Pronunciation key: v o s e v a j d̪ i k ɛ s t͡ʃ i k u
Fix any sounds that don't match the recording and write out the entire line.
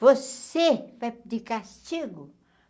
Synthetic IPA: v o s e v a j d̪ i k a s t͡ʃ i ɡ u